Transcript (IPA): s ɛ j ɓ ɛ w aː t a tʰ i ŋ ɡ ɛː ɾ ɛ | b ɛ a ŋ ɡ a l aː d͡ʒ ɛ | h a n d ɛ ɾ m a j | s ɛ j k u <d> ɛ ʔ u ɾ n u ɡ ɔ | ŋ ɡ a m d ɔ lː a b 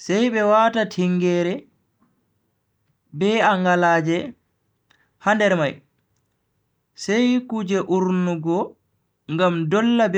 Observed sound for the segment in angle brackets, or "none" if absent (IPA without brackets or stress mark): d͡ʒ